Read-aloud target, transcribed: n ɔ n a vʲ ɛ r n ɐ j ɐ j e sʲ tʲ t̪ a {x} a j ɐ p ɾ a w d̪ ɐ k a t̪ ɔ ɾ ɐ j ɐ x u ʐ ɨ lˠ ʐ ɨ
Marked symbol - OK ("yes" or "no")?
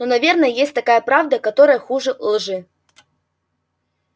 no